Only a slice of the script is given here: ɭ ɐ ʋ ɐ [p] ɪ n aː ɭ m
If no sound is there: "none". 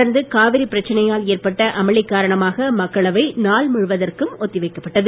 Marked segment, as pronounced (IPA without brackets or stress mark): none